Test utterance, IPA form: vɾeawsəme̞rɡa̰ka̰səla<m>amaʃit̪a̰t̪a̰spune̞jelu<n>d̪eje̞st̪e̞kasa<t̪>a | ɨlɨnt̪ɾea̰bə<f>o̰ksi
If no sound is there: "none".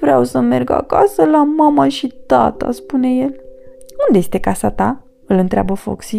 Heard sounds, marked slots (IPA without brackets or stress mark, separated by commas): m, n, t̪, f